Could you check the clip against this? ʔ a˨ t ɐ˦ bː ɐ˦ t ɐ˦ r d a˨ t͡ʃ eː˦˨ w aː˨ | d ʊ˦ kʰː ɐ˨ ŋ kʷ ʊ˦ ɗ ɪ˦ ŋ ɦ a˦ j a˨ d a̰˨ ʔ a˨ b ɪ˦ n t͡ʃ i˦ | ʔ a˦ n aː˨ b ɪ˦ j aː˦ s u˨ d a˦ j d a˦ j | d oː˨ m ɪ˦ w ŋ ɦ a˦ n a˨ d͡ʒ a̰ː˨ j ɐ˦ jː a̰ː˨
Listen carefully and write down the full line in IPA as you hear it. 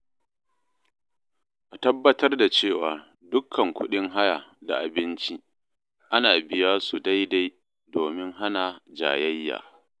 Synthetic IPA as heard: ʔ a˨ t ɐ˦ bː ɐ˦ t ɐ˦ r d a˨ t͡ʃ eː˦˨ w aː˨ | d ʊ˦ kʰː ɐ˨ ŋ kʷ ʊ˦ ɗ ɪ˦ ŋ ɦ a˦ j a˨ d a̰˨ ʔ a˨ b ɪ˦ n t͡ʃ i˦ | ʔ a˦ n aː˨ b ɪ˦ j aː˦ s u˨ d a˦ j d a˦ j | d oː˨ m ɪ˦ ŋ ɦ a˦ n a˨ d͡ʒ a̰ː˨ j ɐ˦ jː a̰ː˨